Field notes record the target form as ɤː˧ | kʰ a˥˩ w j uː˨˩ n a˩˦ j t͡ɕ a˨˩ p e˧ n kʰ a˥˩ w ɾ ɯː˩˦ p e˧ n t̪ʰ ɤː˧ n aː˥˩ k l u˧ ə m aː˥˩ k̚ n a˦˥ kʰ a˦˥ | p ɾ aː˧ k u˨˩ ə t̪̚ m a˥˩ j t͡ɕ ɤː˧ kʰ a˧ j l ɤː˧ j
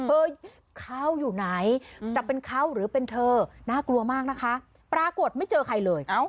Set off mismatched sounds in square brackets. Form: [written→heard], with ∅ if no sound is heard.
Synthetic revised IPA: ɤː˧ | kʰ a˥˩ w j uː˨˩ n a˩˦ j t͡ɕ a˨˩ p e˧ n kʰ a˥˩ w ɾ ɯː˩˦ p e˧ n t̪ʰ ɤː˧ n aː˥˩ k l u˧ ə m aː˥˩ k̚ n a˦˥ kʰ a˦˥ | p ɾ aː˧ k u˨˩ ə t̪̚ m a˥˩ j t͡ɕ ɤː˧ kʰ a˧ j l ɤː˧ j